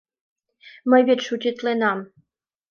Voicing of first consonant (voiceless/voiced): voiced